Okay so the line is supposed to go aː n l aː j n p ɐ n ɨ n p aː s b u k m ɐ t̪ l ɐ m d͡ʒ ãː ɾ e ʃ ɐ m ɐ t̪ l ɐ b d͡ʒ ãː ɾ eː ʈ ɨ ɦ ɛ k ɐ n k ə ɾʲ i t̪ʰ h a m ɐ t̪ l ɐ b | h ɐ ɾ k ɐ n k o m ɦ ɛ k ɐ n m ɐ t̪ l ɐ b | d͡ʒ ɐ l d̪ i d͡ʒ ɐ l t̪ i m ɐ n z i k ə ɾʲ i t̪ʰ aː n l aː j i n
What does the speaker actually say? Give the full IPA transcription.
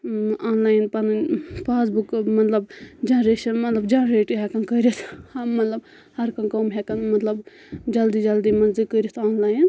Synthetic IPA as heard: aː n l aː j n p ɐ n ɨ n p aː s b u k m ɐ t̪ l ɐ b d͡ʒ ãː ɾ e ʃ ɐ m ɐ t̪ l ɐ b d͡ʒ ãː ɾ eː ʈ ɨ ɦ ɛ k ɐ n k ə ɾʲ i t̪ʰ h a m ɐ t̪ l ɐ b | h ɐ ɾ k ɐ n k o m ɦ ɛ k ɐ n m ɐ t̪ l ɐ b | d͡ʒ ɐ l d̪ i d͡ʒ ɐ l d̪ i m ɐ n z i k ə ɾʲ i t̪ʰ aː n l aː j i n